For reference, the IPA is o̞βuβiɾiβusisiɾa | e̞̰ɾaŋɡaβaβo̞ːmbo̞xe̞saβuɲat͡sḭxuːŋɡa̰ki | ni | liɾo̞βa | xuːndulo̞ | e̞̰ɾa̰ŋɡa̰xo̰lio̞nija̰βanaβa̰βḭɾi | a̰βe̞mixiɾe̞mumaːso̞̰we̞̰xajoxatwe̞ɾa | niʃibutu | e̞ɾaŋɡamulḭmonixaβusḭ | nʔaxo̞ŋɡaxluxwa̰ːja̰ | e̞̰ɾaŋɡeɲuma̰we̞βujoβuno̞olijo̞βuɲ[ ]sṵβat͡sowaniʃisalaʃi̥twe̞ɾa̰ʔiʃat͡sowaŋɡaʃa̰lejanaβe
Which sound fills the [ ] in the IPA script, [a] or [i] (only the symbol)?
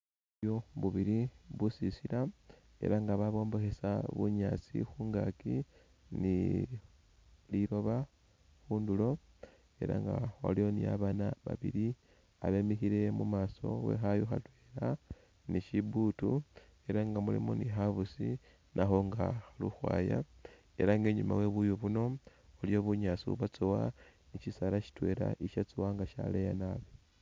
a